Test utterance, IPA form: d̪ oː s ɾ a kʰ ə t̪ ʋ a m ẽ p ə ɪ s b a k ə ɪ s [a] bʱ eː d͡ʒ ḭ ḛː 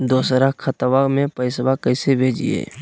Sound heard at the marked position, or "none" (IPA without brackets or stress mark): e